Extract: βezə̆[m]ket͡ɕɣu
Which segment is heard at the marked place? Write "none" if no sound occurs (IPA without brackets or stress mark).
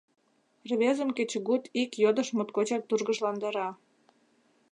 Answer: m